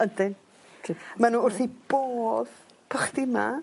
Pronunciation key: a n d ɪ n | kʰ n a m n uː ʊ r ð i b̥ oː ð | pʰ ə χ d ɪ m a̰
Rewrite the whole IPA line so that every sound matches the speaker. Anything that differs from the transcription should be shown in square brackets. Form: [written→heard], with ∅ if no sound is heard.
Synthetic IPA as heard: [a→ə] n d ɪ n | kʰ [n→m] a [m→∅] n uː ʊ r [ð→θ] i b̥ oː ð | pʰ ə χ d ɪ m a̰